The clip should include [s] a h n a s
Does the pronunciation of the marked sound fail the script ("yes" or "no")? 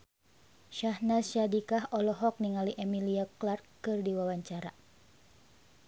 yes